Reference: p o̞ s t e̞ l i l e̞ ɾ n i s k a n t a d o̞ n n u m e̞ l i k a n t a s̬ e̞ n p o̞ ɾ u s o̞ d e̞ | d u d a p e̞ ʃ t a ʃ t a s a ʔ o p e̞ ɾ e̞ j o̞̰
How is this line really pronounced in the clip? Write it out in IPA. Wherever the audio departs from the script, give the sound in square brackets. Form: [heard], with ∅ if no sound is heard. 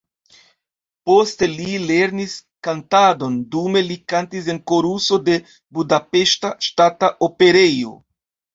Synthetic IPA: p o̞ s t e̞ l i l e̞ ɾ n i s k a n t a d o̞ n [d] u m e̞ l i k a n t [i] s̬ e̞ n [k] o̞ ɾ u s o̞ d e̞ | [b] u d a p e̞ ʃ t a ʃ t a [t] a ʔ o p e̞ ɾ e̞ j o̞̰